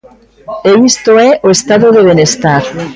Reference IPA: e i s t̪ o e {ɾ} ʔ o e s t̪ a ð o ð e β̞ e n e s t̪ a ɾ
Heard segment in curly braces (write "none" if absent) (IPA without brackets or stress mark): none